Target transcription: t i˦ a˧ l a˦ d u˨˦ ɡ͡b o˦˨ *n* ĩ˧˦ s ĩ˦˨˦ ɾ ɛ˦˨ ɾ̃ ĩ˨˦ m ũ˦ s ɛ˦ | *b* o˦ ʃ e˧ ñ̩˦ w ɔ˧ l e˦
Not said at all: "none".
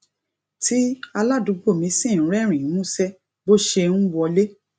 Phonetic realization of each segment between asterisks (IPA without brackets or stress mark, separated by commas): m, b